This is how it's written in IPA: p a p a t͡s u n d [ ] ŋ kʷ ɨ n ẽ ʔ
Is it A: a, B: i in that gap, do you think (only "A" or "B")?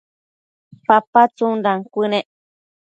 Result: A